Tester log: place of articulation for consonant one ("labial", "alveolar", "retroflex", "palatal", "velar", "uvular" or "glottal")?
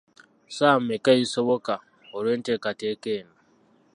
alveolar